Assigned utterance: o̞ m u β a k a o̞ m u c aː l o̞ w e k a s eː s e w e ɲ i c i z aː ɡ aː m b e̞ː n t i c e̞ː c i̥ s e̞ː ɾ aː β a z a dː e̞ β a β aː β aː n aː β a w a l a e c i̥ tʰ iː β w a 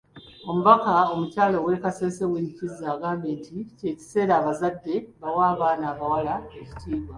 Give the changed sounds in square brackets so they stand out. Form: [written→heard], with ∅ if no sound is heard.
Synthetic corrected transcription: o̞ m u β a k a o̞ m u c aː l o̞ w e k a s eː s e w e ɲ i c i z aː ɡ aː m b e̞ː n t i c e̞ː c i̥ s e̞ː ɾ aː β a z a dː e̞ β a [β→w] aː β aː n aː β a w a l a e c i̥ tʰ iː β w a